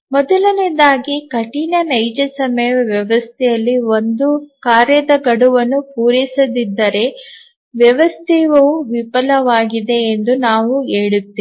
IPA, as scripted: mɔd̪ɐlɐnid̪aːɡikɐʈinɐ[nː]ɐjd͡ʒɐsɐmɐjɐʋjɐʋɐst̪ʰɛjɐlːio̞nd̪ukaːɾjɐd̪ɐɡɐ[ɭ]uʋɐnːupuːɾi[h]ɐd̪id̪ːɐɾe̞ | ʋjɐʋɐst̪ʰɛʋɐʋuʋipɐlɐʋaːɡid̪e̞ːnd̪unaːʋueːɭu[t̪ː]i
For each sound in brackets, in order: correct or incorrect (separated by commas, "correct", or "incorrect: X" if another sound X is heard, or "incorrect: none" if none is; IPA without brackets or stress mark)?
incorrect: n, incorrect: ɽ, incorrect: s, correct